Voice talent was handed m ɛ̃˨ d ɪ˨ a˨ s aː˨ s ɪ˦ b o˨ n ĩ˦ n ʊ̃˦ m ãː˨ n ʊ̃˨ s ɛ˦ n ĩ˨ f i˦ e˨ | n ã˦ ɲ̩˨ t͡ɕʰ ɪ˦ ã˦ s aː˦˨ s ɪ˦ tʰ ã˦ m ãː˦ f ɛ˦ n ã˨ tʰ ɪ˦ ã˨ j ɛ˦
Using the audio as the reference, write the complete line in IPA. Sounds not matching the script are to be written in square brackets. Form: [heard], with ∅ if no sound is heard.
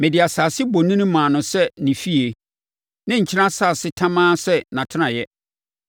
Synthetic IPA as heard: m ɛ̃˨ d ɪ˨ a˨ s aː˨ s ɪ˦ b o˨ n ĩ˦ n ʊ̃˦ m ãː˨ n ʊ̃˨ s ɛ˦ n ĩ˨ f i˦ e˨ | n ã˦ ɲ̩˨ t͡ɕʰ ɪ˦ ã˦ s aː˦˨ s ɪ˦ tʰ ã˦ m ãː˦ [s] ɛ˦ n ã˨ tʰ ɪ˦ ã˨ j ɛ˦

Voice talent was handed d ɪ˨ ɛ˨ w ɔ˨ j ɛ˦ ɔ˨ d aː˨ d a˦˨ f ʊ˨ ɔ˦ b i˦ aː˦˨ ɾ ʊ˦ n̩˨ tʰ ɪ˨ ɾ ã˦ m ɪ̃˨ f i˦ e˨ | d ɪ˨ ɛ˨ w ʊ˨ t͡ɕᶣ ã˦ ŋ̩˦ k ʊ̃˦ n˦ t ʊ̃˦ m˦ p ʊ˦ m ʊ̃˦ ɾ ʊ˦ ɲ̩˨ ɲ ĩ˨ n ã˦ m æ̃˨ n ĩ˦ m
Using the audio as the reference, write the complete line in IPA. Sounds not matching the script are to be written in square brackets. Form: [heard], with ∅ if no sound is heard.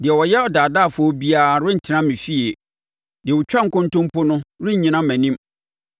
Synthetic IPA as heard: d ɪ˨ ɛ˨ w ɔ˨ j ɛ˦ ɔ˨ d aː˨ d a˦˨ f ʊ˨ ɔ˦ b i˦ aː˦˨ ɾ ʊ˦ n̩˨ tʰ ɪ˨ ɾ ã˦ m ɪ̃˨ f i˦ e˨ | d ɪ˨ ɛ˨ w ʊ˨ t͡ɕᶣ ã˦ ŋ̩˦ k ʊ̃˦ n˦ t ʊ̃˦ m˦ p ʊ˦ [n] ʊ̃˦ ɾ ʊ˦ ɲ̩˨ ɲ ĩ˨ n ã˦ m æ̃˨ n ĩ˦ m

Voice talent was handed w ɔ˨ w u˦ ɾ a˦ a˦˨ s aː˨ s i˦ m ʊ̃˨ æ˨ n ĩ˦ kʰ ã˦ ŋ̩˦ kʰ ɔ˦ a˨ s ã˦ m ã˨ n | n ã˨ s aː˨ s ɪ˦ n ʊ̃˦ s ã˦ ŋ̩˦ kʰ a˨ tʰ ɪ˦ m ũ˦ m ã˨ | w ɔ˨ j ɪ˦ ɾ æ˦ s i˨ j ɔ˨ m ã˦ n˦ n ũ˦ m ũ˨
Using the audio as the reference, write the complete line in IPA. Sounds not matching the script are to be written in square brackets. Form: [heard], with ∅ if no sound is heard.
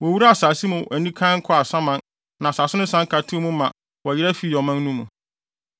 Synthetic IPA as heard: w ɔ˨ w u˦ ɾ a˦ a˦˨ s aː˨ s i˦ m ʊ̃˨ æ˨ n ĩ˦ kʰ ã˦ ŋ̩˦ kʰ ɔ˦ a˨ s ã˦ m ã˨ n | n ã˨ s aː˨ s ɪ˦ n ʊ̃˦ s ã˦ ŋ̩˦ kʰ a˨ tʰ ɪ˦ m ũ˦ m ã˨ | w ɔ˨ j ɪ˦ ɾ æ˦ [f] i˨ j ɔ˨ m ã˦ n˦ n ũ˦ m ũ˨

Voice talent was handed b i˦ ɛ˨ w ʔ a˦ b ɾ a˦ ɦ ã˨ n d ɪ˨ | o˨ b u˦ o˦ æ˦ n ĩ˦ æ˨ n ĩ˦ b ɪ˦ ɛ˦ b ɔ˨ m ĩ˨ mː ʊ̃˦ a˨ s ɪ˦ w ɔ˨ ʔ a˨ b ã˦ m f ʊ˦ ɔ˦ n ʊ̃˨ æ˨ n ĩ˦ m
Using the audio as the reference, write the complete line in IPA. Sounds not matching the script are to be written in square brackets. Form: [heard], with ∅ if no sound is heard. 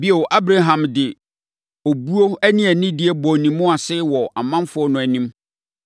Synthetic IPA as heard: b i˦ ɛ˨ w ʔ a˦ b ɾ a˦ ɦ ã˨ [m] d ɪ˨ | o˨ b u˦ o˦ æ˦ n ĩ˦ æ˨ n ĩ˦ [d] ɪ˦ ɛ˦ b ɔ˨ [n] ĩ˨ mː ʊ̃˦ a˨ s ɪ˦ w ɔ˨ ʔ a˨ [m] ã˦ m f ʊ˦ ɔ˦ n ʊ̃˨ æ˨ n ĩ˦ m

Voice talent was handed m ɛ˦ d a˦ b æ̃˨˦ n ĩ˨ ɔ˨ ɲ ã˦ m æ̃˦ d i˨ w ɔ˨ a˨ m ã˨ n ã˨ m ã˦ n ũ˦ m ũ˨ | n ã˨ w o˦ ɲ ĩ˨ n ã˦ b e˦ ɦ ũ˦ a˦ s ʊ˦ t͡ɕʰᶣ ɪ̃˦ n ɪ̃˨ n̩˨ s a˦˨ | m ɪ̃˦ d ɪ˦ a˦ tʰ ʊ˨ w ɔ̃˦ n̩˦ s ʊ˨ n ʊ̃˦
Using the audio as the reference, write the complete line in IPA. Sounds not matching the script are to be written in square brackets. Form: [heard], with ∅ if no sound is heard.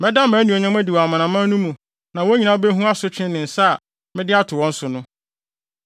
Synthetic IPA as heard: m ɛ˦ d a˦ [m] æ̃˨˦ n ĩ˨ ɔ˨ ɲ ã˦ m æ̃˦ d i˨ w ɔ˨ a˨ m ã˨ n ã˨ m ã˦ n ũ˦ m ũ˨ | n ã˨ w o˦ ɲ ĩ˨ n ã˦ b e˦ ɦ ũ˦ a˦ s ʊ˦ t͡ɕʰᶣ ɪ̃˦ n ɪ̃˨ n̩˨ s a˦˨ | m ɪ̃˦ d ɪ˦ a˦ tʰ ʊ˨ w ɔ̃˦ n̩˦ s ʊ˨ n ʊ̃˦

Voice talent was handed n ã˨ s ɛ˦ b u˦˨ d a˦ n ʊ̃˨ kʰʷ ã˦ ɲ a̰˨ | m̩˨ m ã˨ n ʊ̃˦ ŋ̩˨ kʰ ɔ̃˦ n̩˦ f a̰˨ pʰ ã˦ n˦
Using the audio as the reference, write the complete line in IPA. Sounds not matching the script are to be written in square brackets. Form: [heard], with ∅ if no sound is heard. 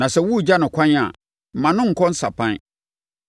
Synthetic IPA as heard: n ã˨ s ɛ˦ [w] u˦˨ [d͡ʑ] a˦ n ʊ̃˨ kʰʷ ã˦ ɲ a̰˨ | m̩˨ m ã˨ n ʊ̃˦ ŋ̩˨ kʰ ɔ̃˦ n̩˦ [s] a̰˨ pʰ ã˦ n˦

